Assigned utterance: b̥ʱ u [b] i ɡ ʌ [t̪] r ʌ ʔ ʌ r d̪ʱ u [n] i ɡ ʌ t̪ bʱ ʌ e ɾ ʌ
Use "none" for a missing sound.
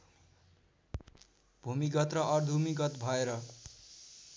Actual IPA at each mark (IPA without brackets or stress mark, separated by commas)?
m, t̪, m